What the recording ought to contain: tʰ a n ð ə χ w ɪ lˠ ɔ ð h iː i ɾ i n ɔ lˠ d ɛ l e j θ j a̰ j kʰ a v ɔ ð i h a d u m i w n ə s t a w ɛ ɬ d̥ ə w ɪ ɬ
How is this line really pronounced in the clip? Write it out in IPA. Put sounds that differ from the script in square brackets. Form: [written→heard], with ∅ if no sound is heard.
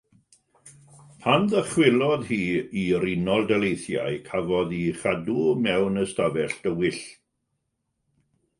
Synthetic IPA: [tʰ→pʰ] a n ð ə χ w ɪ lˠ ɔ ð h iː i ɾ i n ɔ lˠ d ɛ l e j θ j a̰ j kʰ a v ɔ ð i [h→χ] a d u m [i→ɛ] w n ə s t a [w→v] ɛ ɬ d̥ ə w ɪ ɬ